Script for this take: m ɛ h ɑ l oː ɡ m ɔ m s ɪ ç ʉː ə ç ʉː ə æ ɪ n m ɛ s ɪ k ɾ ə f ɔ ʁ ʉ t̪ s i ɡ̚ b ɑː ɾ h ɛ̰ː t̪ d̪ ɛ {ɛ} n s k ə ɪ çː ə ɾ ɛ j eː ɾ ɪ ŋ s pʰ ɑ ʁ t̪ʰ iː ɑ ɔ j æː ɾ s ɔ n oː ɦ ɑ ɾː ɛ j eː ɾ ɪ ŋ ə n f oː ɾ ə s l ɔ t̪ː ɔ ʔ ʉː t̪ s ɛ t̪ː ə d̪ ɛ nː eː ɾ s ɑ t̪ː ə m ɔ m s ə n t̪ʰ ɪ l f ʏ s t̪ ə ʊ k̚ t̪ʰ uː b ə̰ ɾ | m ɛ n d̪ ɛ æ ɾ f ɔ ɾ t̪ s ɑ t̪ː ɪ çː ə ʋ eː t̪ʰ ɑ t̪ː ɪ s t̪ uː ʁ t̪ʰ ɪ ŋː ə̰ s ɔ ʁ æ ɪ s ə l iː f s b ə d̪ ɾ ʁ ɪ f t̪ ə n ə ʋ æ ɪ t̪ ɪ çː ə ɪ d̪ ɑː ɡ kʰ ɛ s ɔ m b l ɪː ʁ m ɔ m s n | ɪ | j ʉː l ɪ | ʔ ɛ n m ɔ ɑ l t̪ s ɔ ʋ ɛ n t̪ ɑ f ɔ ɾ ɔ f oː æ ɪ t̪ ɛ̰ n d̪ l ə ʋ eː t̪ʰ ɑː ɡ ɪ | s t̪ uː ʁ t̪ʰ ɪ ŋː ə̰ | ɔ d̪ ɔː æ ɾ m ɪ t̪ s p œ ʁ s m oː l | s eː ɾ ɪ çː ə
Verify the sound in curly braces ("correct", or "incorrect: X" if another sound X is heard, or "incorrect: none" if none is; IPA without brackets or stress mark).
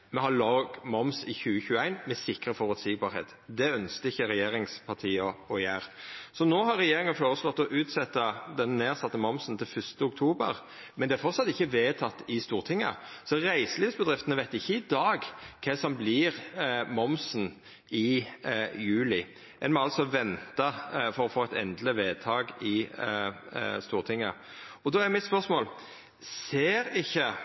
incorrect: œ